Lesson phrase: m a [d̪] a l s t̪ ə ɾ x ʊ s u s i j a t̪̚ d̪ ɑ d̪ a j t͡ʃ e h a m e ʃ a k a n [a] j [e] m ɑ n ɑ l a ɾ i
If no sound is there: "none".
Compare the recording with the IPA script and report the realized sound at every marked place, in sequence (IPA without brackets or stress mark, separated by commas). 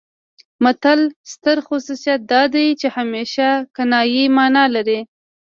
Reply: t̪, ɑ, i